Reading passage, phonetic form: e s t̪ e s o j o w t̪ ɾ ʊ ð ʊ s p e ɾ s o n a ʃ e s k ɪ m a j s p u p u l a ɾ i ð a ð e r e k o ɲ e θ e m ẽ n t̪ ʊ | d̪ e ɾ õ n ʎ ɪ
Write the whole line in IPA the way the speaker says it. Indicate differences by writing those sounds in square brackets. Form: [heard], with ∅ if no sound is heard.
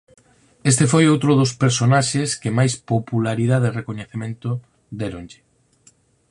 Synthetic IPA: e s t̪ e [f] o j o w t̪ ɾ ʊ ð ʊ s p e ɾ s o n a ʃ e s k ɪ m a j s p [o] p u l a ɾ i ð a ð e r e k o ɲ e θ e m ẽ n t̪ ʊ | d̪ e ɾ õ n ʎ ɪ